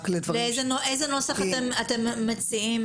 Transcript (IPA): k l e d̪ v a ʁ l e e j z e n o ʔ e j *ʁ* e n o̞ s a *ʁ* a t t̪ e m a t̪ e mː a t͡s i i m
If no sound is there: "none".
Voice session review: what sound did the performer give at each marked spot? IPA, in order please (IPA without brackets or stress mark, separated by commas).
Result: z, χ